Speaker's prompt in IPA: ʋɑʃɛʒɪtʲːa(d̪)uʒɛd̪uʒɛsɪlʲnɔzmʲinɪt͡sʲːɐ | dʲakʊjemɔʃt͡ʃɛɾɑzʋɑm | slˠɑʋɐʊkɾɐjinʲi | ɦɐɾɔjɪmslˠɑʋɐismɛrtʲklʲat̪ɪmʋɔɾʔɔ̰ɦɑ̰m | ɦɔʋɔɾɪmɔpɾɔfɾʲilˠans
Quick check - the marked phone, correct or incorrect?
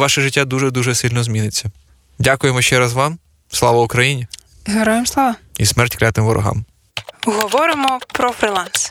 correct